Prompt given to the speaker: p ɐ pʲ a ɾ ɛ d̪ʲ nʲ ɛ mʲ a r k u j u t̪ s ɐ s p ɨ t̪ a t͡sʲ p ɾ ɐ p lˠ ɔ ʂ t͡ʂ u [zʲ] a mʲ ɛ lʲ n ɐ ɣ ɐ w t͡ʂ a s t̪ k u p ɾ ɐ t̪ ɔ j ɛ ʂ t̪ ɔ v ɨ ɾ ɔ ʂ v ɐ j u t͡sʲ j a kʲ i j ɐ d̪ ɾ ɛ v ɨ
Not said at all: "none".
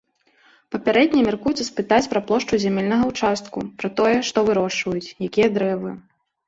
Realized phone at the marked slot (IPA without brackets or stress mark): zʲ